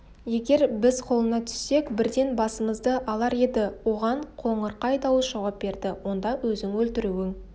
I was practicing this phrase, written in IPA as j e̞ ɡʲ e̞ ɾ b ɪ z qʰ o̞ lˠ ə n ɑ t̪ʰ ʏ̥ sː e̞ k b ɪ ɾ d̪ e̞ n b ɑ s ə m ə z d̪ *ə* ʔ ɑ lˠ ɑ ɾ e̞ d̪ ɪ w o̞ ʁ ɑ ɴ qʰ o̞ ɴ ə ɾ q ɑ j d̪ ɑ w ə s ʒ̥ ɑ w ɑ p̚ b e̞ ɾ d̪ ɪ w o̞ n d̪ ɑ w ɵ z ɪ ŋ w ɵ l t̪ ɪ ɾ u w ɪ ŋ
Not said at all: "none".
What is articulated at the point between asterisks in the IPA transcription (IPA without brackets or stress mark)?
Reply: ə